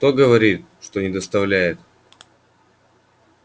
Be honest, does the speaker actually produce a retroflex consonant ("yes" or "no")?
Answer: yes